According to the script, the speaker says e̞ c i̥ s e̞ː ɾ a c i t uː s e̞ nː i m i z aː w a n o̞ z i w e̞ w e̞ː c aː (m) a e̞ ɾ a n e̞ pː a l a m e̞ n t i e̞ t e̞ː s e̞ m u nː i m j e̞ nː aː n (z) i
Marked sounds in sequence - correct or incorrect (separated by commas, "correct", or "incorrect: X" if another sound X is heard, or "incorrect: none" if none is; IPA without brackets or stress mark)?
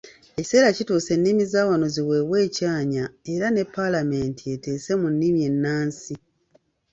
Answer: incorrect: ɲ, incorrect: s